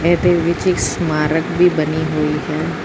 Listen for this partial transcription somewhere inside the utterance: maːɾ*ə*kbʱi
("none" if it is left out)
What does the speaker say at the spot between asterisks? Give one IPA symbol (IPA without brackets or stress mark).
ə